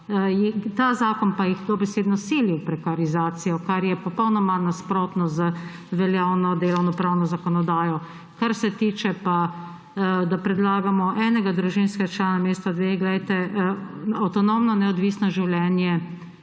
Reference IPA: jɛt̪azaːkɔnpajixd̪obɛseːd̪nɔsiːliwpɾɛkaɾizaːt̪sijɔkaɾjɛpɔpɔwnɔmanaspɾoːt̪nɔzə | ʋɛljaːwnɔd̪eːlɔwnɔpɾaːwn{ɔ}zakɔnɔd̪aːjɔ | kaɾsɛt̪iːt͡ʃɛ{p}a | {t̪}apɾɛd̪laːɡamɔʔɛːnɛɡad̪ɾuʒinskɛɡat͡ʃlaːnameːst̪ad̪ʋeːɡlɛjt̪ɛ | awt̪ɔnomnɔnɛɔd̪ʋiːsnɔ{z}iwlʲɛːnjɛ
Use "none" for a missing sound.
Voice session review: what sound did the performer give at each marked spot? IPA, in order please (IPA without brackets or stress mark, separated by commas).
ɔ, p, d̪, ʒ